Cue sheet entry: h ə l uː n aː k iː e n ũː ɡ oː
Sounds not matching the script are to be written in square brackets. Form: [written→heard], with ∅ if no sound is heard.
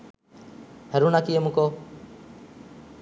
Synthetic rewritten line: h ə [l→ɾ] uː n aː k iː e [n→m] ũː [ɡ→k] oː